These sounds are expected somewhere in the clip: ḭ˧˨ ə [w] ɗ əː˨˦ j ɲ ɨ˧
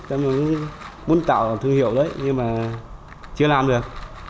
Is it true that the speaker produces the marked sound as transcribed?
yes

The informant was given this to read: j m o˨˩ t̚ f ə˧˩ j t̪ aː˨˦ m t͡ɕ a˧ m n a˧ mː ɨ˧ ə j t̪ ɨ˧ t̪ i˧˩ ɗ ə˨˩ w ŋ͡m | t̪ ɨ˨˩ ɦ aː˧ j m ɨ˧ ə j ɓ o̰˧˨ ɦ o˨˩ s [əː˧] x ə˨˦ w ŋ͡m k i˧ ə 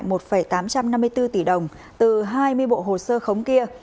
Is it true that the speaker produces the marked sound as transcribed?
yes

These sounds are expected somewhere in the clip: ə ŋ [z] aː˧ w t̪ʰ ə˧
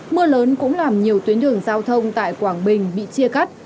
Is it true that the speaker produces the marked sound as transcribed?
yes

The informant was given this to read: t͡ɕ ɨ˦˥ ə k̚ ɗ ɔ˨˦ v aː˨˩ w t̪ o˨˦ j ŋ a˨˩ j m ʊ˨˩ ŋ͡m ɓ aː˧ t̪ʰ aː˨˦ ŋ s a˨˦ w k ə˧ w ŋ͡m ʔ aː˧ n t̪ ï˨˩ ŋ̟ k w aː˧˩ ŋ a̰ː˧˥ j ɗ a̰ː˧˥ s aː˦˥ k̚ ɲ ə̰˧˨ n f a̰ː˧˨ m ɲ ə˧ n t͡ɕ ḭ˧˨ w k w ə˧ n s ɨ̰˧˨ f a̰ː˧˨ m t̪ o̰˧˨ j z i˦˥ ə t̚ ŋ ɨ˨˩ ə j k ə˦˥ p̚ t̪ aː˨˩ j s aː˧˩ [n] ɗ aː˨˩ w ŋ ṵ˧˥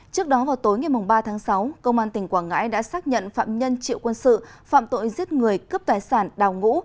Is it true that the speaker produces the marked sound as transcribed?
yes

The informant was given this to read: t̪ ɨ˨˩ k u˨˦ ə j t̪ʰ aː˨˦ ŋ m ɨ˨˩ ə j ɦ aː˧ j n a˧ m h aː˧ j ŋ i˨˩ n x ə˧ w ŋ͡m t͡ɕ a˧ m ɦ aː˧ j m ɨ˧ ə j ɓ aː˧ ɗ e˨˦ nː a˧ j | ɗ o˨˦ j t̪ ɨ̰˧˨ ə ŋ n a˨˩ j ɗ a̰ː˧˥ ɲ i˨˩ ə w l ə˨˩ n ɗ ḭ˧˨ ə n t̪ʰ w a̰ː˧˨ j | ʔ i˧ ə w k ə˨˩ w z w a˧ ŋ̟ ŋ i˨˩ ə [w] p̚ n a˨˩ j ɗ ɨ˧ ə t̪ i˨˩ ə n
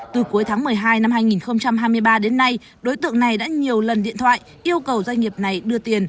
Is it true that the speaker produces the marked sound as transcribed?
no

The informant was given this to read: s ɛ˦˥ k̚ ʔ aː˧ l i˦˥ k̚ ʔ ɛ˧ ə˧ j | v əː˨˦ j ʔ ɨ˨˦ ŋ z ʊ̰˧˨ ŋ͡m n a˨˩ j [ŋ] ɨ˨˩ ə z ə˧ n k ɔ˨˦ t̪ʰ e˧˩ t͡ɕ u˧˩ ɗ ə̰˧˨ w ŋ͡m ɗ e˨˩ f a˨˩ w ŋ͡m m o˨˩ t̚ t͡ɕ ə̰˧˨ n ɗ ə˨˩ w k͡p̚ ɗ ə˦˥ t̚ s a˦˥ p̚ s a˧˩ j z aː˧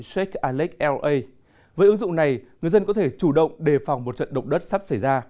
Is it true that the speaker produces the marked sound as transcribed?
yes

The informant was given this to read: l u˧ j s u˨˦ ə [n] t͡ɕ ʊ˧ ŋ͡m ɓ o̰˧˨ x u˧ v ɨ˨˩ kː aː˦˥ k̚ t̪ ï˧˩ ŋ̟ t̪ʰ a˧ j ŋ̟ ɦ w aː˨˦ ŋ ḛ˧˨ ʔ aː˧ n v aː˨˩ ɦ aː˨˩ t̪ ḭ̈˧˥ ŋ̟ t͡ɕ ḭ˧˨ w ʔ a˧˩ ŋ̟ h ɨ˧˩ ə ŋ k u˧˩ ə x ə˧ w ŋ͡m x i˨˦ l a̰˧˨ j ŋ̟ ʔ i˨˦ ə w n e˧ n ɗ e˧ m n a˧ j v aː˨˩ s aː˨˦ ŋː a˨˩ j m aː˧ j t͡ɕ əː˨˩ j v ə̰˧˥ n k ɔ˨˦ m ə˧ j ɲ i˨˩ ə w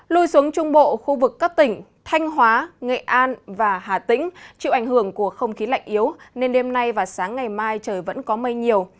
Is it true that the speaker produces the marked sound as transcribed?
no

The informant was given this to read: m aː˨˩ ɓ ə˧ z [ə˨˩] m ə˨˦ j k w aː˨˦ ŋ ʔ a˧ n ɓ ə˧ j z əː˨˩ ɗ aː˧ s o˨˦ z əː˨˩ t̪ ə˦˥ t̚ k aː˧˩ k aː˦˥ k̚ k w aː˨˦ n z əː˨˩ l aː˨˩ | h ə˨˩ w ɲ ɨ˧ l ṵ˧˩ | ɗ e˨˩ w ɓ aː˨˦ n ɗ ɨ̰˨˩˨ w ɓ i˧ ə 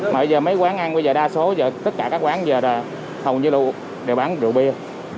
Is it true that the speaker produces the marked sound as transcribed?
no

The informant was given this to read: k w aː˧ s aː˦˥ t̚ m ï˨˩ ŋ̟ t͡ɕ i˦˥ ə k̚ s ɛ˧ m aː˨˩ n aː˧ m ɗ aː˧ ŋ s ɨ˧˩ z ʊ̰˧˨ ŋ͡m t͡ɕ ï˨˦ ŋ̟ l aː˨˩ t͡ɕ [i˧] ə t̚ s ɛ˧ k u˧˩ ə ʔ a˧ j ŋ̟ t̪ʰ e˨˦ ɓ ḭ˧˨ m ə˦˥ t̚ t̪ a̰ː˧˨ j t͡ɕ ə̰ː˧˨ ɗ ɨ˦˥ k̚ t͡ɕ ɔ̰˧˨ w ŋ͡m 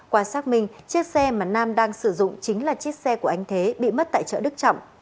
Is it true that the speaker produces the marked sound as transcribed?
no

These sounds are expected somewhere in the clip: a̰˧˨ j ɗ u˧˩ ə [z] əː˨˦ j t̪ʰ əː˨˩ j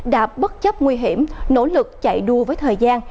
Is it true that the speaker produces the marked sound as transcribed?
no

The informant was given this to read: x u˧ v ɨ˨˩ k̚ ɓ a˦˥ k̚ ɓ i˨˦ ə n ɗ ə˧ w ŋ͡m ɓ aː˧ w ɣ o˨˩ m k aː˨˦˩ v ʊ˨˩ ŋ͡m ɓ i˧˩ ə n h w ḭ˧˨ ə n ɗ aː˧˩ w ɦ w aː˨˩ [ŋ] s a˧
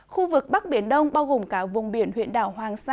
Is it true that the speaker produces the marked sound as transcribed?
yes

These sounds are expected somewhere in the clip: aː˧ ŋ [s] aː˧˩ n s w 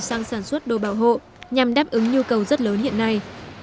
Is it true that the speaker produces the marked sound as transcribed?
yes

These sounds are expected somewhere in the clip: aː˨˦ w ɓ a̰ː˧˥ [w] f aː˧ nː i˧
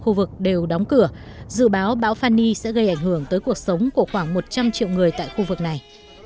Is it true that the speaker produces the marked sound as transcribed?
yes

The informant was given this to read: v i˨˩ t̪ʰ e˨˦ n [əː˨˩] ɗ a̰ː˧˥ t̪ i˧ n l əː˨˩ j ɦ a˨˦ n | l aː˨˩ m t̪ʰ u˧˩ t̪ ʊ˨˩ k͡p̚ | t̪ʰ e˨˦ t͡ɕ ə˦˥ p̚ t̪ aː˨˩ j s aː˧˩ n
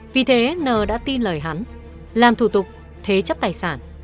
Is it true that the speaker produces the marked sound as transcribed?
yes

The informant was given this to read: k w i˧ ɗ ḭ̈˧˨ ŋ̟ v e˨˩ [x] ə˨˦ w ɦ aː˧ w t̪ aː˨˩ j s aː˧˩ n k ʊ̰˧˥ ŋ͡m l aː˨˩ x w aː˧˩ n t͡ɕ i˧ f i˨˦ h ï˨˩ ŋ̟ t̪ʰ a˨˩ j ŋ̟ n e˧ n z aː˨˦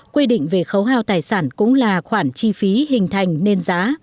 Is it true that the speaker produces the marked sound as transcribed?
yes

